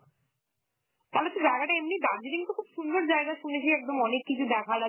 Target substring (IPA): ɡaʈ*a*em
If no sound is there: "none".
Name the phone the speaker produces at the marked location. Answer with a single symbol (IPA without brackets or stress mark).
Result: a